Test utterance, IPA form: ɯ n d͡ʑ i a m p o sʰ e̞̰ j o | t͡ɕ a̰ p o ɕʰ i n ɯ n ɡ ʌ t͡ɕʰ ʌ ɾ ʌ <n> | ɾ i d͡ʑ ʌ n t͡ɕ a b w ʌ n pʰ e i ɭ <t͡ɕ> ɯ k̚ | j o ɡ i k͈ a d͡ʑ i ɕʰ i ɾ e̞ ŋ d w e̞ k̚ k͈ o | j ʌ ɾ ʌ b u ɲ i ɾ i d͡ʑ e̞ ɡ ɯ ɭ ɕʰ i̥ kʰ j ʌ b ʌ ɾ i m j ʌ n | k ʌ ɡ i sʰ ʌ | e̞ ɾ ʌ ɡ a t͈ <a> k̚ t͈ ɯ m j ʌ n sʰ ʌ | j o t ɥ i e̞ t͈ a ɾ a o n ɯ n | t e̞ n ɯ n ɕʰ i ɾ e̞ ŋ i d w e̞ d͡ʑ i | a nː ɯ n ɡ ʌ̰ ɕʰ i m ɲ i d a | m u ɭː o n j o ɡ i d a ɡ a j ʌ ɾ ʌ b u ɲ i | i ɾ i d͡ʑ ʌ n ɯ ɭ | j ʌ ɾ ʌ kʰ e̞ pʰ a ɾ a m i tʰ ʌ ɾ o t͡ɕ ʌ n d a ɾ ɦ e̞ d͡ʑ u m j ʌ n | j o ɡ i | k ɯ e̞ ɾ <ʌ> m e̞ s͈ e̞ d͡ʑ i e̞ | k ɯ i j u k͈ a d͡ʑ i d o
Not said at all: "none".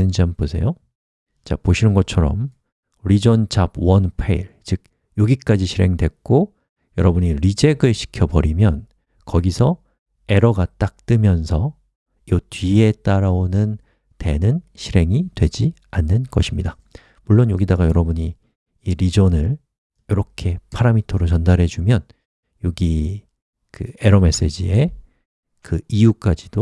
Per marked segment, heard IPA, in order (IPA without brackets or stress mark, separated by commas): m, t͡ɕ, a, ʌ